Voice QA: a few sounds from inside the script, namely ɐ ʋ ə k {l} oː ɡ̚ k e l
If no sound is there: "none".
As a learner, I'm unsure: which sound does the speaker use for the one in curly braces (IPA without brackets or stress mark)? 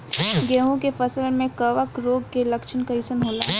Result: ɾ